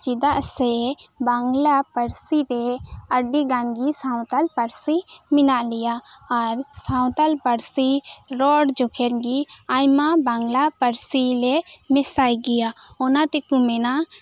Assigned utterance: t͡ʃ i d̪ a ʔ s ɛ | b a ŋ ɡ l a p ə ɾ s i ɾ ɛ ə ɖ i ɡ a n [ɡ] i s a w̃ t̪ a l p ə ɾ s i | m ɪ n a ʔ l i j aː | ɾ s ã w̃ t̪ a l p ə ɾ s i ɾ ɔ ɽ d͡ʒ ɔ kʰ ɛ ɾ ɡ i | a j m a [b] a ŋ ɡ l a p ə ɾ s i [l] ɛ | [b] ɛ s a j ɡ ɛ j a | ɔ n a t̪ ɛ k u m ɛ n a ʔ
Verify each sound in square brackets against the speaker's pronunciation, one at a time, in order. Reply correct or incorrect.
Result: correct, correct, correct, incorrect

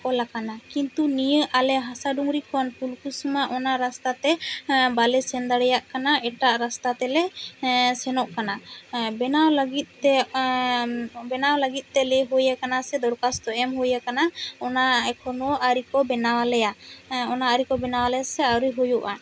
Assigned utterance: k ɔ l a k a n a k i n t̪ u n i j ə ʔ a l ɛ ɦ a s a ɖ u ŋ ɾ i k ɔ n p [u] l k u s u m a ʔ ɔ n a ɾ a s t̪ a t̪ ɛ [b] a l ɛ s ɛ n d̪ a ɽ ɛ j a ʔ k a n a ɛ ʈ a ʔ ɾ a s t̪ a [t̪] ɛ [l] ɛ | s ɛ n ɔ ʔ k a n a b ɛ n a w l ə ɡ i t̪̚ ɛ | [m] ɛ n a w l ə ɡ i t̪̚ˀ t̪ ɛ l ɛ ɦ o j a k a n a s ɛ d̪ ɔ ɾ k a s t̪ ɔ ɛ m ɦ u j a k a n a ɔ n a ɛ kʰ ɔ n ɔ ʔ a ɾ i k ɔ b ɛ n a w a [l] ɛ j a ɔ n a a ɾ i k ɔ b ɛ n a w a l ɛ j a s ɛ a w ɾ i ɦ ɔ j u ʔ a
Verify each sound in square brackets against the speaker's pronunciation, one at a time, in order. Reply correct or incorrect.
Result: correct, correct, correct, correct, incorrect, correct

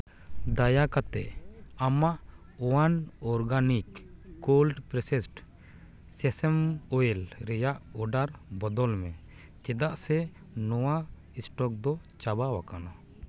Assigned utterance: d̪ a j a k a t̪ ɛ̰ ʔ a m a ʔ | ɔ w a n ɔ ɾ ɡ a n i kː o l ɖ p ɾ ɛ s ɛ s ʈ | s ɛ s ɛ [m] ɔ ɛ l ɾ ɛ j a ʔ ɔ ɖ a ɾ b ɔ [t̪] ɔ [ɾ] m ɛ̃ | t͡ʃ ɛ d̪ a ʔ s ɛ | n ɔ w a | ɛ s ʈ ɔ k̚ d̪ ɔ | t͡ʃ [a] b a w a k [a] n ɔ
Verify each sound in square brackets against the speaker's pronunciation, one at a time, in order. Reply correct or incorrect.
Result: correct, incorrect, incorrect, correct, correct

